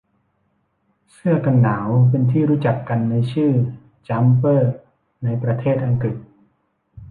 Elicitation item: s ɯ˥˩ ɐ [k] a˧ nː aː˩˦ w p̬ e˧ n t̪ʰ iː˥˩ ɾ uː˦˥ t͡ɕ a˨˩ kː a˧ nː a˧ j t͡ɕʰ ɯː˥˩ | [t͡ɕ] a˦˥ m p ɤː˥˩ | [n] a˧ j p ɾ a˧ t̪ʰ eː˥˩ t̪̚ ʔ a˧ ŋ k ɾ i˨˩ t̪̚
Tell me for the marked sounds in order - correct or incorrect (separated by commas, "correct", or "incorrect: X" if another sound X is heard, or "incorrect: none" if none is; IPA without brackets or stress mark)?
correct, correct, correct